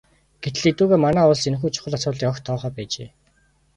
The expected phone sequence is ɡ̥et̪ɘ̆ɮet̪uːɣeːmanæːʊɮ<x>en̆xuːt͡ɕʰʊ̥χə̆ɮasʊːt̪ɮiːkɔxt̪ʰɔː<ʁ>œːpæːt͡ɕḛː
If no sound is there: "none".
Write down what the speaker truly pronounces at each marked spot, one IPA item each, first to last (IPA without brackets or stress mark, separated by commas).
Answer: s, χ